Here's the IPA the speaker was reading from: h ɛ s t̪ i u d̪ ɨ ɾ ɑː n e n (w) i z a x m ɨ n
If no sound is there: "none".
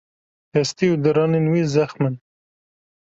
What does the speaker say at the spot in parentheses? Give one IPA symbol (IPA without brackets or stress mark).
w